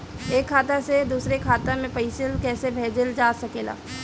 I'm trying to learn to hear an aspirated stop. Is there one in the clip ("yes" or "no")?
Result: yes